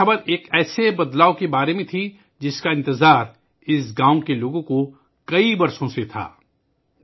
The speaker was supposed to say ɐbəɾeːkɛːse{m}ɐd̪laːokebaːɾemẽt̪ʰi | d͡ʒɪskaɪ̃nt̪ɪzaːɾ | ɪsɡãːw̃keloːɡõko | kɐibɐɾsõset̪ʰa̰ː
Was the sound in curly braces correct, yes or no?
no